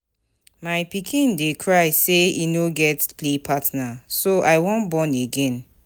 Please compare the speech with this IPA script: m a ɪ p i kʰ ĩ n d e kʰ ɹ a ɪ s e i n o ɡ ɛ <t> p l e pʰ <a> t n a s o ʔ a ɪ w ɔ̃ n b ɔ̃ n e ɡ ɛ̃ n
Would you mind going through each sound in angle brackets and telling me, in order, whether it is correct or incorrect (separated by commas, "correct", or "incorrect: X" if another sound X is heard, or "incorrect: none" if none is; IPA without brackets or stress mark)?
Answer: correct, correct